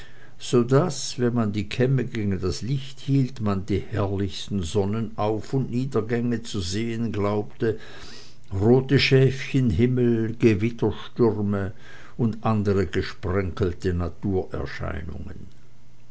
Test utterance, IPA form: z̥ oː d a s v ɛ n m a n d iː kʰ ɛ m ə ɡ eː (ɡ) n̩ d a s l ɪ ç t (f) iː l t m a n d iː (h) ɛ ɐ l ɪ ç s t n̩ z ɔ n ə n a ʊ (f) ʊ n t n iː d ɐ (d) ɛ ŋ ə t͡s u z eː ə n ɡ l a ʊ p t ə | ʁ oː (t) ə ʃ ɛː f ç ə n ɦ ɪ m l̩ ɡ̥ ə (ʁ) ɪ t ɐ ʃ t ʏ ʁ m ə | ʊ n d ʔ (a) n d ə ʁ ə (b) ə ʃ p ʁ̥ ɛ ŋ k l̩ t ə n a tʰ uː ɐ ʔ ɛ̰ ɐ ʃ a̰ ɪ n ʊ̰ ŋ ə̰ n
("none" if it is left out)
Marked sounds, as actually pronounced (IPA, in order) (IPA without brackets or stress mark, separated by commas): ɡ, h, h, f, ɡ, t, v, a, ɡ